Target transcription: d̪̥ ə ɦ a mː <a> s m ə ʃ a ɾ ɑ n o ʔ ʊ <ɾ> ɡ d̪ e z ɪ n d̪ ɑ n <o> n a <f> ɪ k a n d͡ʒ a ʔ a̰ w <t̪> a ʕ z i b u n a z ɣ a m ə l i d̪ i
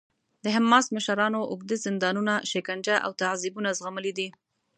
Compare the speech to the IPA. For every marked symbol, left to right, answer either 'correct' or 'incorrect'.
incorrect: ɑ, incorrect: none, incorrect: u, incorrect: ʃ, correct

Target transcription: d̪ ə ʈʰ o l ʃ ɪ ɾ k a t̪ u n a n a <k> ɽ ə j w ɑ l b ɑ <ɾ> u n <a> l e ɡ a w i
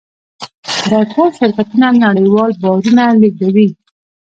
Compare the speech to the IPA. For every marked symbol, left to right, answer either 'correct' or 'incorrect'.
incorrect: none, correct, correct

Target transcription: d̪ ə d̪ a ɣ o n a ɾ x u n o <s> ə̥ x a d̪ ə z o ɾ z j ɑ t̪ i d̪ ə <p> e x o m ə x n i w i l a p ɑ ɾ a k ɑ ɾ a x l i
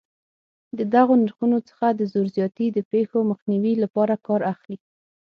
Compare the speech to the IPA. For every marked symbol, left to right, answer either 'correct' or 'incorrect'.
incorrect: t͡s, correct

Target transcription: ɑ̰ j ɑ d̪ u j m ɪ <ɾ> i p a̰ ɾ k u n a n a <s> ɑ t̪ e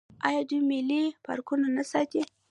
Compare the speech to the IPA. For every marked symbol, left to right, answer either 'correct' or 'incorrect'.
incorrect: l, correct

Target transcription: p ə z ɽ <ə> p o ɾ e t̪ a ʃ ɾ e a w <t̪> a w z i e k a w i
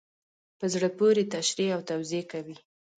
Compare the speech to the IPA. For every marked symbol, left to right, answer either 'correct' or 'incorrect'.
correct, correct

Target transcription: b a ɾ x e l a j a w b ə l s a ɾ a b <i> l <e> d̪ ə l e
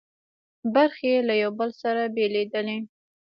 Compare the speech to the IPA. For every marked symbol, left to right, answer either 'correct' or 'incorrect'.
incorrect: e, correct

